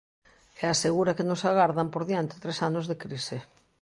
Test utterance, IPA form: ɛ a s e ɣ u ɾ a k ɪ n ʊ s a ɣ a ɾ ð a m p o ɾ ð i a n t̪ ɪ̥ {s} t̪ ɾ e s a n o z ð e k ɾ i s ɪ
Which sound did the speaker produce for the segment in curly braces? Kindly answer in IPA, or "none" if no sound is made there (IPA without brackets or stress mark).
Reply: none